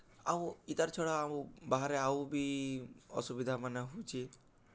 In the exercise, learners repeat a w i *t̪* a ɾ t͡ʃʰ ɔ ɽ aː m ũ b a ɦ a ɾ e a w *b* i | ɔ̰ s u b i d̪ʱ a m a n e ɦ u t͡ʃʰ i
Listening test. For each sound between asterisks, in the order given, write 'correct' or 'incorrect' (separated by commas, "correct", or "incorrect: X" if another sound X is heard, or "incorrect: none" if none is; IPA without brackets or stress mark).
correct, correct